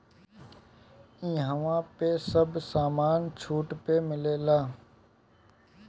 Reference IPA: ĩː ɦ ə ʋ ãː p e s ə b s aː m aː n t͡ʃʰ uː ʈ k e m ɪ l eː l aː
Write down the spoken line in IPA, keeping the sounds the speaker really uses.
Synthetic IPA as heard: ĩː ɦ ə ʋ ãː p e s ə b s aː m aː n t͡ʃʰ uː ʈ p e m ɪ l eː l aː